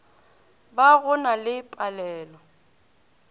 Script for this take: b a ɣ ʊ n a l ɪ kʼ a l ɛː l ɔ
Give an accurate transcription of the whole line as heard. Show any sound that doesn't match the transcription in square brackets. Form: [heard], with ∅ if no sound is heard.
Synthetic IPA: b a ɣ ʊ n a l ɪ [pʼ] a l ɛː l ɔ